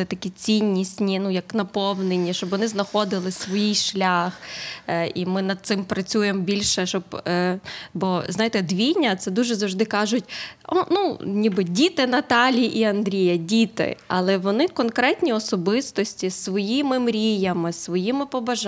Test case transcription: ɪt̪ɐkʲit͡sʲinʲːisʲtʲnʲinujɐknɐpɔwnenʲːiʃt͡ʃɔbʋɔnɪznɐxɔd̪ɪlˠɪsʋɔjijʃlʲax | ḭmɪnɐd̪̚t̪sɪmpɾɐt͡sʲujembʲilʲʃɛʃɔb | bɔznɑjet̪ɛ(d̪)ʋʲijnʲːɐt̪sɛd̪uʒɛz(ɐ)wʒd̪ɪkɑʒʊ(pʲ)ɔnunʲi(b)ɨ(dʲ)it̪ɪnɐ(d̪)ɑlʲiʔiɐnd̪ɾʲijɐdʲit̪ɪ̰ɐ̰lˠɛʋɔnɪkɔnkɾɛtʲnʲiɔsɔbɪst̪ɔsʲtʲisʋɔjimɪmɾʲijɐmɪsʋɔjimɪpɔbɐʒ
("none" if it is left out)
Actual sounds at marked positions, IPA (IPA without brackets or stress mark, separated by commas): d̪, ɐ, tʲ, b, dʲ, t̪